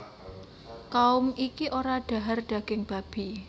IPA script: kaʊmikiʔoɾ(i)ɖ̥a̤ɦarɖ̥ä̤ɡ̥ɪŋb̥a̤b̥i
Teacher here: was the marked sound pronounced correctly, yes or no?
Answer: no